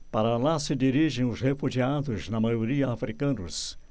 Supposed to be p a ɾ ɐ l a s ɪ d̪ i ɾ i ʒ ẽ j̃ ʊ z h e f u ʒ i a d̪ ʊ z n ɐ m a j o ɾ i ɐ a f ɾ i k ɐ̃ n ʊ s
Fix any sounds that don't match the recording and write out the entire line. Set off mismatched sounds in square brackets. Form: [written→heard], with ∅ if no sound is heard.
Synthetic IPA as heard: p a ɾ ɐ l a s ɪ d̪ i ɾ i ʒ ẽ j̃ ʊ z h e f u ʒ i a d̪ ʊ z n ɐ m a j o ɾ i ɐ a f ɾ i k ɐ̃ n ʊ s